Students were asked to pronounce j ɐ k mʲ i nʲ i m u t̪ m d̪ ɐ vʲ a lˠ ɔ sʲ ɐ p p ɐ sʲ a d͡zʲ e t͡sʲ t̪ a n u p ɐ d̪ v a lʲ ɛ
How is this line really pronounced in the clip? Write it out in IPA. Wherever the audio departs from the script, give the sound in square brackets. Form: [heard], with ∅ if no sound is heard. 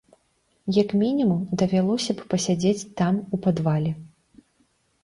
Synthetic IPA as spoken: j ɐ k mʲ i nʲ i m u [∅] m d̪ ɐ vʲ a lˠ ɔ sʲ ɐ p p ɐ sʲ a d͡zʲ e t͡sʲ t̪ a [m] u p [a] d̪ v a lʲ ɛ